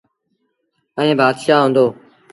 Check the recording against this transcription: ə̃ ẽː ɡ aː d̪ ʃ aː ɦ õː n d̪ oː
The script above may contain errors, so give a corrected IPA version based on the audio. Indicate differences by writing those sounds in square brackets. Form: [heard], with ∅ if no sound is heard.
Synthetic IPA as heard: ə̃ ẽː [b] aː d̪ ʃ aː ɦ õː n d̪ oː